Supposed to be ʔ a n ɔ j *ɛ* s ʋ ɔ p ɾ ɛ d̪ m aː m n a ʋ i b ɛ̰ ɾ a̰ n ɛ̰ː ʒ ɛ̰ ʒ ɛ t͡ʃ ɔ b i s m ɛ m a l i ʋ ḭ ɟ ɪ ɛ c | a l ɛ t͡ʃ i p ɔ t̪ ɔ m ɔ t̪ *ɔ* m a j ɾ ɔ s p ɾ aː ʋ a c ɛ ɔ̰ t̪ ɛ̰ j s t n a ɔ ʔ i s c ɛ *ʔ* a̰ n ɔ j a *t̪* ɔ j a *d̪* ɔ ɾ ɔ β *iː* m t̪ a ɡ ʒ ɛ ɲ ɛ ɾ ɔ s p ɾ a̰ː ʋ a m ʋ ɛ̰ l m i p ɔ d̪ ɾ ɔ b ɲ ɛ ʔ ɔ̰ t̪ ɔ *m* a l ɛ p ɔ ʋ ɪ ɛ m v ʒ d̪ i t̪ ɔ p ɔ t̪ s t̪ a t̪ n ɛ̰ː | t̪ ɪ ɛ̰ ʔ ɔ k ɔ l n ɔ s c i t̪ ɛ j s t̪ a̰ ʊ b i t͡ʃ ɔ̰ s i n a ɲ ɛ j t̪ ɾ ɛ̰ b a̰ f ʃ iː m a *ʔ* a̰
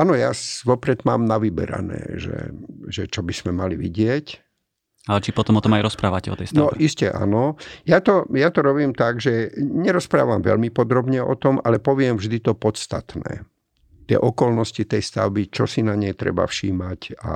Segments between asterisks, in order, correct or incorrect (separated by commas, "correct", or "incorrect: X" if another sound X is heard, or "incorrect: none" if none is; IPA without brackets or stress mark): incorrect: a, correct, correct, correct, incorrect: t̪, correct, correct, incorrect: c